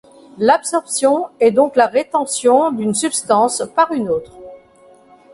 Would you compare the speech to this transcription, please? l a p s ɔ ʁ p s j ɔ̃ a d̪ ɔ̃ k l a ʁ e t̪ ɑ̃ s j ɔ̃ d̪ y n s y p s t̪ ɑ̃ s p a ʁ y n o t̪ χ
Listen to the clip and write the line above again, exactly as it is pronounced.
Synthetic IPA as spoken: l a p s ɔ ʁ p s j ɔ̃ ɛ d̪ ɔ̃ k l a ʁ e t̪ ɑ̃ s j ɔ̃ d̪ y n s y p s t̪ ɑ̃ s p a ʁ y n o t̪ χ